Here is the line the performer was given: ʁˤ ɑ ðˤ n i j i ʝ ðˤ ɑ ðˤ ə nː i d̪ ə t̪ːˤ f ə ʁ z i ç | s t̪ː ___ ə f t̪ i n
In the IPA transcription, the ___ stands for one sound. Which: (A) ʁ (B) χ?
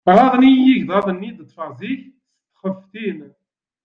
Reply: B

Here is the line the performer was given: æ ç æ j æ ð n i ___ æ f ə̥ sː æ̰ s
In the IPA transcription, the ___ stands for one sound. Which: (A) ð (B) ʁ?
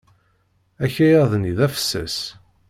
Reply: A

